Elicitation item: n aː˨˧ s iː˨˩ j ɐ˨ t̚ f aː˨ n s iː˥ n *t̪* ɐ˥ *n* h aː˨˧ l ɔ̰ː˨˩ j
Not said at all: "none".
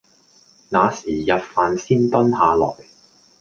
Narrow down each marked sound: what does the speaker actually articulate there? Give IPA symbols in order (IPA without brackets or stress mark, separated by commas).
t̪, n